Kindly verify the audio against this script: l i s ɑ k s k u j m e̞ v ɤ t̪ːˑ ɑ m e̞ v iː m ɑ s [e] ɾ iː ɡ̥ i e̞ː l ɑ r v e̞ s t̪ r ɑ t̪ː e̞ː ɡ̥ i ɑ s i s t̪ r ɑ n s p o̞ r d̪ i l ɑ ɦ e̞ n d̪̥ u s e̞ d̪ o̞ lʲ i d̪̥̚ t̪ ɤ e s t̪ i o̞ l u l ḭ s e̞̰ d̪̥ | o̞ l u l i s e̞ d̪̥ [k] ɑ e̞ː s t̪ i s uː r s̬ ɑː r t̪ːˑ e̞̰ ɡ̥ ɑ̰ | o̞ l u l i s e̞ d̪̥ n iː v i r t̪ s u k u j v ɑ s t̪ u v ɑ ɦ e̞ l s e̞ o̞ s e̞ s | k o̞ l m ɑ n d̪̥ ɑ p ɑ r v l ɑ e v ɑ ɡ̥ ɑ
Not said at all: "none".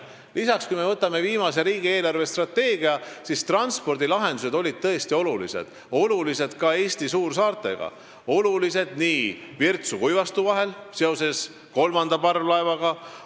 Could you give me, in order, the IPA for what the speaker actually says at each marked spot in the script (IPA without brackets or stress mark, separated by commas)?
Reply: e, k